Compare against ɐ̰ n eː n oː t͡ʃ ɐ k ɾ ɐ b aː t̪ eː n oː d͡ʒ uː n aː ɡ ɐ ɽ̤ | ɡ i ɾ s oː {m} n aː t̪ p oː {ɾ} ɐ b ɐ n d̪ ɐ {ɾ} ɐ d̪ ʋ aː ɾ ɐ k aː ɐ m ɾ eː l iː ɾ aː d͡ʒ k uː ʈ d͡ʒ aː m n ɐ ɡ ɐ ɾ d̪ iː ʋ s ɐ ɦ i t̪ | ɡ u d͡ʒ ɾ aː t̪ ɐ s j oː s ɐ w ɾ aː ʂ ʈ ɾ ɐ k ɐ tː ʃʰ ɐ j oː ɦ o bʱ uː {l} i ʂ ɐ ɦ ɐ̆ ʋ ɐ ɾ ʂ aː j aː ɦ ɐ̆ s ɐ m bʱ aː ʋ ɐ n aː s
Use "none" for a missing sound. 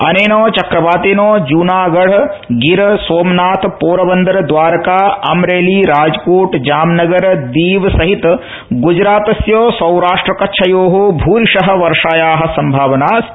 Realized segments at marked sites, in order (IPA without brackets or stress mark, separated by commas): m, ɾ, ɾ, ɾ